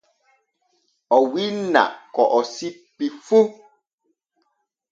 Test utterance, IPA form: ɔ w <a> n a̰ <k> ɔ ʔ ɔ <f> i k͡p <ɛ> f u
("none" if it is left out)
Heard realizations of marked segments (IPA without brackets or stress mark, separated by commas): i, k, s, i